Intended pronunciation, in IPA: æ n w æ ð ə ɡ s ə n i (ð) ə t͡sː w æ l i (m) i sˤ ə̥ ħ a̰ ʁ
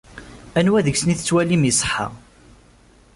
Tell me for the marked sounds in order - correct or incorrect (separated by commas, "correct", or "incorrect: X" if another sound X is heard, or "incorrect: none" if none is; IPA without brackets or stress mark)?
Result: incorrect: θ, correct